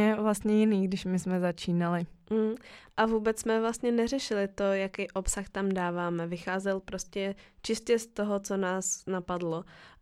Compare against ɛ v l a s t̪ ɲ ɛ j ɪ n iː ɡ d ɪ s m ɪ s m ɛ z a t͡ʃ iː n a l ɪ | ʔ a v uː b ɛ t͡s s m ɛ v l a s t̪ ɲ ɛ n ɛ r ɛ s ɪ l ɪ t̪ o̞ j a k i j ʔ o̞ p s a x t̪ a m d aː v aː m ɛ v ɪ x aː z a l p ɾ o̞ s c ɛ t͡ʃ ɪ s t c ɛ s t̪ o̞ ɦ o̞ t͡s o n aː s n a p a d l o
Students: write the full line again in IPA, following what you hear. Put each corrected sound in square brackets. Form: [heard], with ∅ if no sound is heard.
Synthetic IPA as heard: ɛ v l a s t̪ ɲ ɛ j ɪ n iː ɡ d ɪ [ʃ] m ɪ s m ɛ z a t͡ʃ iː n a l ɪ | ʔ a v uː b ɛ t͡s s m ɛ v l a s t̪ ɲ ɛ n ɛ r ɛ [ʃ] ɪ l ɪ t̪ o̞ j a k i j ʔ o̞ p s a x t̪ a m d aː v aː m ɛ v ɪ x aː z [ɛ] l p ɾ o̞ s c ɛ t͡ʃ ɪ s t c ɛ s t̪ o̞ ɦ o̞ t͡s o n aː s n a p a d l o